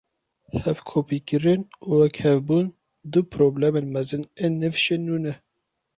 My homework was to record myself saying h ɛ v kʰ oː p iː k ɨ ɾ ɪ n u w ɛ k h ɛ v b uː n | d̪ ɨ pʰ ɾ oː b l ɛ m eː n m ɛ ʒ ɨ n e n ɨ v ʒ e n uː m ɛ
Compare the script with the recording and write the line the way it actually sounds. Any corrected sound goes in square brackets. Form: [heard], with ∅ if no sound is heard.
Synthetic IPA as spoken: h ɛ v kʰ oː p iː k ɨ ɾ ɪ n u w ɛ k h ɛ v b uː n | d̪ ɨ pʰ ɾ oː b l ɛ m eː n m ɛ [z] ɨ n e n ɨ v [ʃ] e n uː [n] ɛ